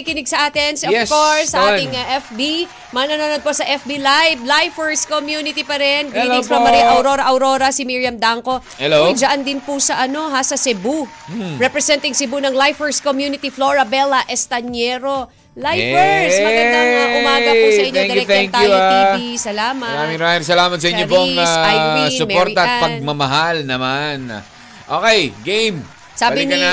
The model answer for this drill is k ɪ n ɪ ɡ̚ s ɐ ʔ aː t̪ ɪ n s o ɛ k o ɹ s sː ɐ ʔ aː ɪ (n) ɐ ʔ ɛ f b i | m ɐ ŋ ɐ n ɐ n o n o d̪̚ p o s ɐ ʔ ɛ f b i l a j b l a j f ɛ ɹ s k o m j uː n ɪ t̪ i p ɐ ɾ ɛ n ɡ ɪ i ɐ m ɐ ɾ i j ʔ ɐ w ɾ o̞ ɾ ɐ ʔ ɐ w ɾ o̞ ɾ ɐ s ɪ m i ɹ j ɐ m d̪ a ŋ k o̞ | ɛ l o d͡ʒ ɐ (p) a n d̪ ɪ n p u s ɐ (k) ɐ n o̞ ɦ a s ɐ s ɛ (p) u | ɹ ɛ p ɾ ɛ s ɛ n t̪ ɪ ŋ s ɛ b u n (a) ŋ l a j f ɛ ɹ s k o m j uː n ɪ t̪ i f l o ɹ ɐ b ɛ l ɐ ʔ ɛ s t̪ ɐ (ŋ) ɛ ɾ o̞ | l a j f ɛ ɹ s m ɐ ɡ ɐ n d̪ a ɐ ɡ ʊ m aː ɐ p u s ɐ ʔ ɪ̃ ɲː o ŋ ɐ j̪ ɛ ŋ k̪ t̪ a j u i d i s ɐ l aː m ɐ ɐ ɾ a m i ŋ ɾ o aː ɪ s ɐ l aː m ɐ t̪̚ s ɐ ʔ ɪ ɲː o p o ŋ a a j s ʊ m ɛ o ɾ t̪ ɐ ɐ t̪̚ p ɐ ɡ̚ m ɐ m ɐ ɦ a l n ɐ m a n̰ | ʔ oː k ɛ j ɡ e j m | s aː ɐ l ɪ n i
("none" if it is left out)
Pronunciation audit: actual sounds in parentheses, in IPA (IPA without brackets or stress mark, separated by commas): ŋ, ʔ, ʔ, b, ɐ, ɲ